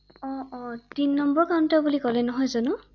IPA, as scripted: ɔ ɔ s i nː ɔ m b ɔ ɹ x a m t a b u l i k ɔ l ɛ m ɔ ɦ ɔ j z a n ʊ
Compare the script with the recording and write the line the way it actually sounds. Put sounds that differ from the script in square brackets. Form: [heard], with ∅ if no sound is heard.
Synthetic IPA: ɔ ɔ [t] i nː ɔ m b ɔ ɹ [k] a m t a b u l i k ɔ l ɛ [n] ɔ ɦ ɔ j z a n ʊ

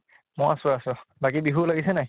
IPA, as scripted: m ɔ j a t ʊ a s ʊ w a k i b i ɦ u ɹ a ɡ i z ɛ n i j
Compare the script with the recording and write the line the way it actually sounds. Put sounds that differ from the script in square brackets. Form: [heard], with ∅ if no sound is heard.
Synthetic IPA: m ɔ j a [s] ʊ a s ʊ [b] a k i b i ɦ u [l] a ɡ i [s] ɛ n [a] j

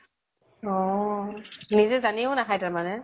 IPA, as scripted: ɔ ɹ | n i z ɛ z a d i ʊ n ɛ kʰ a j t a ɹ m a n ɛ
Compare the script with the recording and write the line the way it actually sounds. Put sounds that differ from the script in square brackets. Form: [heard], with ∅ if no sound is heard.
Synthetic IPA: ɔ [∅] | n i z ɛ z a [n] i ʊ n [a] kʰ a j t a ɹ m a n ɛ

